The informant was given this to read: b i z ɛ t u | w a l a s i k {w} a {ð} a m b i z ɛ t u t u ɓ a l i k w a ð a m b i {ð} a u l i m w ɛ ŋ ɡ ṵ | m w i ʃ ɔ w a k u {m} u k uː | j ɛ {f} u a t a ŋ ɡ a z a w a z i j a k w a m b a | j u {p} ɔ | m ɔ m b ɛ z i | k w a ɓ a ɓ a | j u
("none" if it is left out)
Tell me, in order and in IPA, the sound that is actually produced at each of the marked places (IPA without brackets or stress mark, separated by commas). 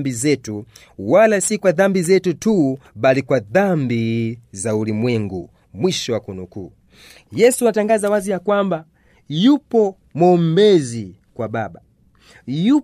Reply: w, ð, z, n, s, p